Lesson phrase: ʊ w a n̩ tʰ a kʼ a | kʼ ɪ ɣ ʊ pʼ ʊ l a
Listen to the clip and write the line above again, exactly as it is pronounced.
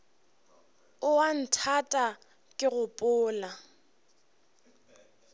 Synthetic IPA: ʊ w a n̩ tʰ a tʼ a | kʼ ɪ ɣ ʊ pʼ ʊː l a